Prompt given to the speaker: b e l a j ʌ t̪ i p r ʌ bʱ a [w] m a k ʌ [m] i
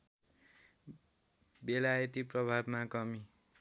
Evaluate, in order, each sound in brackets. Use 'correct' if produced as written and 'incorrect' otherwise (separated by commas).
incorrect, correct